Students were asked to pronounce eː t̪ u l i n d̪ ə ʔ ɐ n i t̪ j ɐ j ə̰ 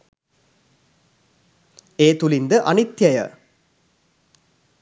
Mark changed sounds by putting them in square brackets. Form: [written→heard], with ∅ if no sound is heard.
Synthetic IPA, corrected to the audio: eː t̪ u l i n d̪ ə ʔ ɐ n i t̪ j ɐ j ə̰